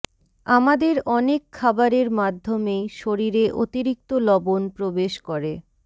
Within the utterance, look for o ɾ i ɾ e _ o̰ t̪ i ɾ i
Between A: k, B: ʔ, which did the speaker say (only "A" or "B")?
B